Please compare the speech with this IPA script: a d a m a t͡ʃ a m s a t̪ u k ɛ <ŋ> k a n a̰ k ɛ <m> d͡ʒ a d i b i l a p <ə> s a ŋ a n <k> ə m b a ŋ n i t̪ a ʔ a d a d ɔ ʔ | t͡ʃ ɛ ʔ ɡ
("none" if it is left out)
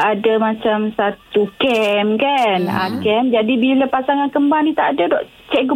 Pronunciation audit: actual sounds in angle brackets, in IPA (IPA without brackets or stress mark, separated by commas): m, m, a, k